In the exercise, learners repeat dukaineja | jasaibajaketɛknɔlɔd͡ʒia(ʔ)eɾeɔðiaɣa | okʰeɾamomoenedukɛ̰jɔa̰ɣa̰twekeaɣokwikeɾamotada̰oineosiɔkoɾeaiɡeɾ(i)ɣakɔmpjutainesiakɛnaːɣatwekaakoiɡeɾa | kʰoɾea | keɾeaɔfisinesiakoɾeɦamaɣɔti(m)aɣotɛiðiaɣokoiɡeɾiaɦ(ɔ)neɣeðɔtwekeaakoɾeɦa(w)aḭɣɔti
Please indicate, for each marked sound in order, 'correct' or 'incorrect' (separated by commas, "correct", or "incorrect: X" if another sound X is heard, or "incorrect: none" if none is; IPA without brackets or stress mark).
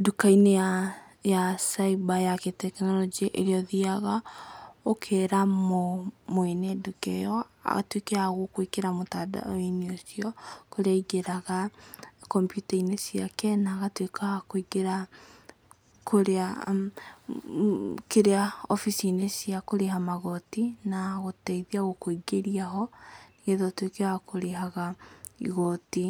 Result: correct, incorrect: a, incorrect: n, correct, incorrect: ɣ